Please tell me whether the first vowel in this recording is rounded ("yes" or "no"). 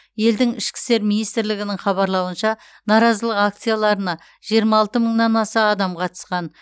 no